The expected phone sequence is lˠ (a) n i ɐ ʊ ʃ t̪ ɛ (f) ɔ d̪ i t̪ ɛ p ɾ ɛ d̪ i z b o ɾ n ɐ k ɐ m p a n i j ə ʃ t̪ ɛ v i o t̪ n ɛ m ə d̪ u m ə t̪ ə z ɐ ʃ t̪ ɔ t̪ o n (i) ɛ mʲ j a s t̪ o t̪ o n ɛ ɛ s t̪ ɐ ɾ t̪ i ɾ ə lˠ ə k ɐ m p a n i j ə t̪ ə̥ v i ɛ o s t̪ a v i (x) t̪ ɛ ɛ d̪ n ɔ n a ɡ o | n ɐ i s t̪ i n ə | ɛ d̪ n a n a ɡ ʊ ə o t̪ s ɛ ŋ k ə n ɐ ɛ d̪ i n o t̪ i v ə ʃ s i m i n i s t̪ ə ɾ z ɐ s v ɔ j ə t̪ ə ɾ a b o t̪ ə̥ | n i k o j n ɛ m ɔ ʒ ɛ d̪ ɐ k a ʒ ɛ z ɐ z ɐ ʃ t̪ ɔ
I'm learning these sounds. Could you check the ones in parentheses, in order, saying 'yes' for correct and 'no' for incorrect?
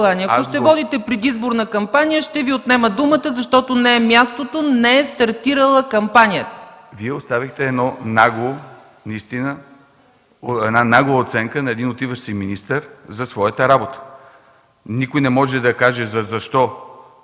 yes, no, no, yes

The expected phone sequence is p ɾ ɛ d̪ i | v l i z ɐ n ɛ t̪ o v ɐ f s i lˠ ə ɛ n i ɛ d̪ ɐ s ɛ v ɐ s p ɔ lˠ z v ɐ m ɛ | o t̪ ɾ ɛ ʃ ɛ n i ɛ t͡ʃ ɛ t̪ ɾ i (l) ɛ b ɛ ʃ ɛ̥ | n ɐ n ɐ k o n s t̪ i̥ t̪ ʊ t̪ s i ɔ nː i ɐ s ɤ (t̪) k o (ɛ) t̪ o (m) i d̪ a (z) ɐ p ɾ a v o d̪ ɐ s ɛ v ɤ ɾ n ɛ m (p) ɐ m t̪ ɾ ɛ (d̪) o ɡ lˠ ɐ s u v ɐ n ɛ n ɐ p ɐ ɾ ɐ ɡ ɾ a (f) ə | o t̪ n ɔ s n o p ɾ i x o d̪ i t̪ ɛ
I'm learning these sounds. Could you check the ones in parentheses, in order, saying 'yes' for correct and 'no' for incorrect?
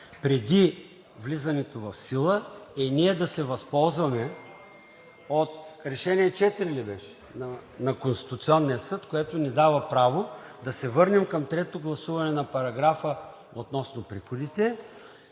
yes, yes, yes, no, no, no, no, yes

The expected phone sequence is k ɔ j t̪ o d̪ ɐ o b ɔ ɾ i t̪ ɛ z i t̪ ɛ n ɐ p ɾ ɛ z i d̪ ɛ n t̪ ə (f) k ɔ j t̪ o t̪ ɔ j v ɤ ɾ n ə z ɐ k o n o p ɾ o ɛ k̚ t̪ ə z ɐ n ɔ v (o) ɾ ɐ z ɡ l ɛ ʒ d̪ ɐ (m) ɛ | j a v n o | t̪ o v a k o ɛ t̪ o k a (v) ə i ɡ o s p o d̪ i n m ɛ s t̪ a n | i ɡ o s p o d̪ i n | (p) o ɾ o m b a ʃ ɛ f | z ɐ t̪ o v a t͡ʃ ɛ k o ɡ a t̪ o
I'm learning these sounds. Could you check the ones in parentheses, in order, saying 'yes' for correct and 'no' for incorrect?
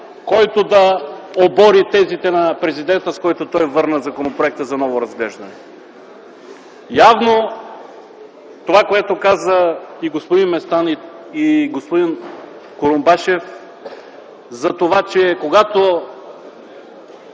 no, yes, no, no, no

